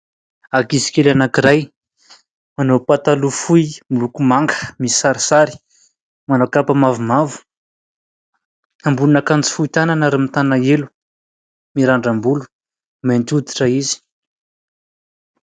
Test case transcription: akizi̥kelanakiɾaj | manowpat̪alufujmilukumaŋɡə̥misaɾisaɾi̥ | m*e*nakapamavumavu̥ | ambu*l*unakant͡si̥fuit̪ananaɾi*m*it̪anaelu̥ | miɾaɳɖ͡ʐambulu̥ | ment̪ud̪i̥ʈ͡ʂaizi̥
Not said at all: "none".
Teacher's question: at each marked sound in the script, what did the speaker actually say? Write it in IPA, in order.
a, l, m

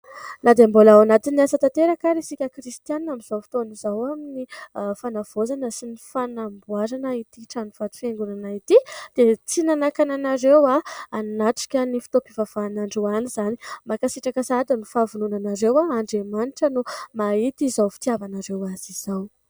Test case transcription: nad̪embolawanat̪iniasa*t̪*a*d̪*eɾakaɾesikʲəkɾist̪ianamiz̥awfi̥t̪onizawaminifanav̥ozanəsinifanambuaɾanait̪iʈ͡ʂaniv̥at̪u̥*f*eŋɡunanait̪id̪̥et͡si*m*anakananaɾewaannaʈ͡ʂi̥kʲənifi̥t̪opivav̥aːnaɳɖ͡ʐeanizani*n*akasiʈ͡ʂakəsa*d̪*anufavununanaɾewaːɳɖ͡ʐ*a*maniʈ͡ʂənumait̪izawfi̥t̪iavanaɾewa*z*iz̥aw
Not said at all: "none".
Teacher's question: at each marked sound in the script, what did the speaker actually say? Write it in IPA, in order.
t̪, t̪, f, n, m, d̪, e, z

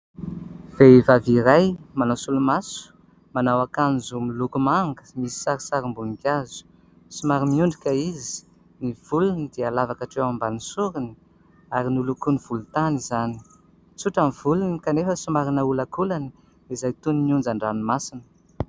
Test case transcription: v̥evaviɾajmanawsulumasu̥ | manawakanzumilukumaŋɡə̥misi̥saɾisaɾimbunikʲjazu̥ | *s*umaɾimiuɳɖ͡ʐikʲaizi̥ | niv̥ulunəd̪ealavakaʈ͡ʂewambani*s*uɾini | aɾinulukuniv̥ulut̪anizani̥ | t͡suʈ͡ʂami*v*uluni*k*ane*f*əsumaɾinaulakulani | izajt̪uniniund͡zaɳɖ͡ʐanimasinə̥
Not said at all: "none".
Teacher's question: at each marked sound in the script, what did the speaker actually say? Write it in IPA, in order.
s, s, v, k, f

